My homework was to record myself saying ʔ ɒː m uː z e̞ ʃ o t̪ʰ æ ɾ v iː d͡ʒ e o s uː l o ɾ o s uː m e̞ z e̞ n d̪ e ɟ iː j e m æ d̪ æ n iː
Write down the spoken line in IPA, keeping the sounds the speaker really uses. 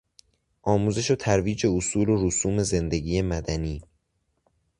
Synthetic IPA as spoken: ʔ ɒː m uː z e̞ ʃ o t̪ʰ æ ɾ v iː d͡ʒ e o s uː l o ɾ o s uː m e̞ z e̞ n d̪ e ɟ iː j e m æ d̪ æ n iː